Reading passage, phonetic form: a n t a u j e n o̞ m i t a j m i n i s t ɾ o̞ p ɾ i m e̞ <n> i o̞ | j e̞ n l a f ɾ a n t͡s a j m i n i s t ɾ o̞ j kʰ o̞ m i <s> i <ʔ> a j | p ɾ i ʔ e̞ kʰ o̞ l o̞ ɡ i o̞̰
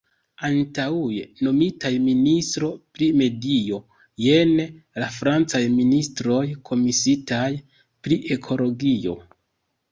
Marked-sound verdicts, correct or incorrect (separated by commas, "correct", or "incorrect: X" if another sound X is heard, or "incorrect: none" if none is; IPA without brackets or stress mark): incorrect: d, correct, incorrect: t